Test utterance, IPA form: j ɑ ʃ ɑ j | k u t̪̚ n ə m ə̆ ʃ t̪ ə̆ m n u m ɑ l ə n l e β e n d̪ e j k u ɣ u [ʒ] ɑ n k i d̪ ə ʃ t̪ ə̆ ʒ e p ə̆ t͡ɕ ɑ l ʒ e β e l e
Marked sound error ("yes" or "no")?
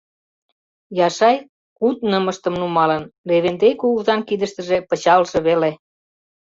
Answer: yes